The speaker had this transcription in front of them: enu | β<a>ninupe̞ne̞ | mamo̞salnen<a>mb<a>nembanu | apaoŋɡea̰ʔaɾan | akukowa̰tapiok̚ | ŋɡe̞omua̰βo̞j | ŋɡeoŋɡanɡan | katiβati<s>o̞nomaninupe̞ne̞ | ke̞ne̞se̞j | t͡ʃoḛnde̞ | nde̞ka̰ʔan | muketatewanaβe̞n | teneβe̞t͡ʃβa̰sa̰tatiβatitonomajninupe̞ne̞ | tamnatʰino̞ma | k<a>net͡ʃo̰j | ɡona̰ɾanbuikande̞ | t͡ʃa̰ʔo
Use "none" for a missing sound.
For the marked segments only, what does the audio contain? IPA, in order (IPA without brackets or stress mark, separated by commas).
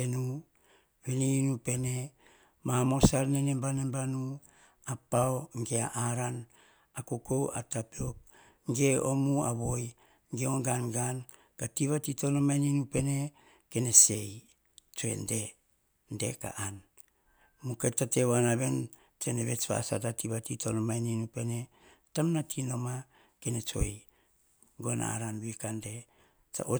e, e, a, t, e